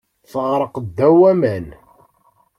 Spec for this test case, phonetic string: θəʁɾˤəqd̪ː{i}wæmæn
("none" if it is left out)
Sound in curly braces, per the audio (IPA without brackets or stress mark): æ